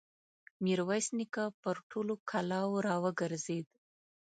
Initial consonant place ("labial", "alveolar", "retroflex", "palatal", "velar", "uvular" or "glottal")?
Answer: labial